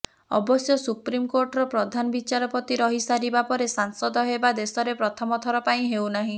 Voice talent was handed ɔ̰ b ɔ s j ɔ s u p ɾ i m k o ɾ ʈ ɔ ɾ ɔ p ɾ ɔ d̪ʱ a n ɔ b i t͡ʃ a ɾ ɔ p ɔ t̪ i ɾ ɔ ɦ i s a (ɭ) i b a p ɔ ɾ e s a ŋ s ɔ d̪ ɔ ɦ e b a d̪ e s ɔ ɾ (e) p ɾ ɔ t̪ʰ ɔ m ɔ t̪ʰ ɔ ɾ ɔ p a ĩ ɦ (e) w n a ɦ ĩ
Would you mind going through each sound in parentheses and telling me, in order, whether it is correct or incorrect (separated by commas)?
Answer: incorrect, correct, correct